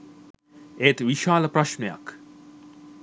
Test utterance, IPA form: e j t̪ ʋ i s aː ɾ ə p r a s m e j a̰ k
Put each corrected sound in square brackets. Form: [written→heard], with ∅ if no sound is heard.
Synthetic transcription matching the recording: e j t̪ ʋ i [s→ʃ] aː [ɾ→l] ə p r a [s→ʃ] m e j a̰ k